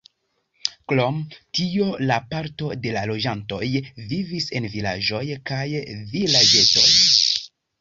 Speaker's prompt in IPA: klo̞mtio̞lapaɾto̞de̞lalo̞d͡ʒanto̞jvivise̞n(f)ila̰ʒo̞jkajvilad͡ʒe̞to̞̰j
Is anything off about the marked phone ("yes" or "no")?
yes